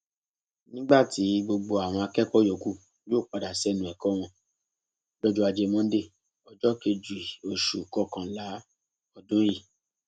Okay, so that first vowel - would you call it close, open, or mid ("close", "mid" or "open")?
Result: close